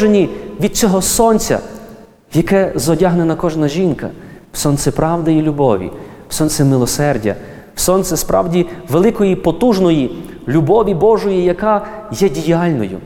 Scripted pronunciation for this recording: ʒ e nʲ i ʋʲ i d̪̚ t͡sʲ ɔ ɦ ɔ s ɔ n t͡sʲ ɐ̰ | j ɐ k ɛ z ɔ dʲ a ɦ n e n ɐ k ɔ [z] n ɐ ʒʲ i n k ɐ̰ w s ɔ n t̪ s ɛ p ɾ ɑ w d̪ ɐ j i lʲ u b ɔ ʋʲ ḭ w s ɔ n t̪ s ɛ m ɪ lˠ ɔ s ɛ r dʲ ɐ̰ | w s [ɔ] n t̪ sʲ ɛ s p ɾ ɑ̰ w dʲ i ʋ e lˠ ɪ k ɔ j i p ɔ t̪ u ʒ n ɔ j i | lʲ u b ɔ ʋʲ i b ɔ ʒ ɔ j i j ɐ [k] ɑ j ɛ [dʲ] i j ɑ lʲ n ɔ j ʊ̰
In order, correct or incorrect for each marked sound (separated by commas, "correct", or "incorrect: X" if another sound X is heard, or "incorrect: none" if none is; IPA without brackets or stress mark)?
incorrect: ʒ, correct, correct, correct